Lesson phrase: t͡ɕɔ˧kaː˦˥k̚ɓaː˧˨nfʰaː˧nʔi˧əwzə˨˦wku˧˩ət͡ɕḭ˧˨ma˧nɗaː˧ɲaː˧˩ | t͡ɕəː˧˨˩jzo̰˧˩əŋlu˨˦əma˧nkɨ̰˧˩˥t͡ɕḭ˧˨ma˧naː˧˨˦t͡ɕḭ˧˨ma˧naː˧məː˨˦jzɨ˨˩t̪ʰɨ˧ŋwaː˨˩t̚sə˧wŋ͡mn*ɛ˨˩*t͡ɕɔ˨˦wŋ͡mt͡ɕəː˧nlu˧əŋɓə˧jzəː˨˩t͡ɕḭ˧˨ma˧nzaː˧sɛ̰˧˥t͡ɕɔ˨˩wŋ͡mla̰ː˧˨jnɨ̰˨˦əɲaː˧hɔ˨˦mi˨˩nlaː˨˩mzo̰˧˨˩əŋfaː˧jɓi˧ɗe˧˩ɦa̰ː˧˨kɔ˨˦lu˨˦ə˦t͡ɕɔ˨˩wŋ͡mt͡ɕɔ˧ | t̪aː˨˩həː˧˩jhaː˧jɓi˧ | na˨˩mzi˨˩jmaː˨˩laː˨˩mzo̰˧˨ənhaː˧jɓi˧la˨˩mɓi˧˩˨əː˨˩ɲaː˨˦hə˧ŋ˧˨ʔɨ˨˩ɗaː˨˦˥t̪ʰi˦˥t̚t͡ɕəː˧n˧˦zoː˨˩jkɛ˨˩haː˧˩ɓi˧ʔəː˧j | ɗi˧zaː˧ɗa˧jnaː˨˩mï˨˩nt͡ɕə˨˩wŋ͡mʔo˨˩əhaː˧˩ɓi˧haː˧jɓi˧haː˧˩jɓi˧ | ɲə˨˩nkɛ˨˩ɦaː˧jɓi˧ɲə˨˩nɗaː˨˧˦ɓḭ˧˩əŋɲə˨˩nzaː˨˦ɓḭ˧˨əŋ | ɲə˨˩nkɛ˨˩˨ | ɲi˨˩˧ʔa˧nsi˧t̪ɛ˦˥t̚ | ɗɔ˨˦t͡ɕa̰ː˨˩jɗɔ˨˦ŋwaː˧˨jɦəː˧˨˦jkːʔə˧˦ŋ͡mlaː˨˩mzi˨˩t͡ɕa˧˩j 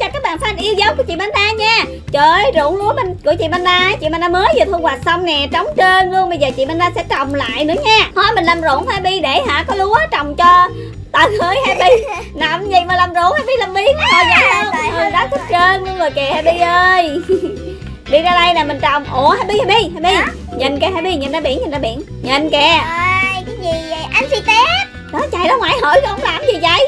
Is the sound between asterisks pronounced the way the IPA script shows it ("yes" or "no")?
yes